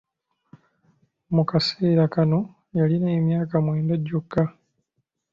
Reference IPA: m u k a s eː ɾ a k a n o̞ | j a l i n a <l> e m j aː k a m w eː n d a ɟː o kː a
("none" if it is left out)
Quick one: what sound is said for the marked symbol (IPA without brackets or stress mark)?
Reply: none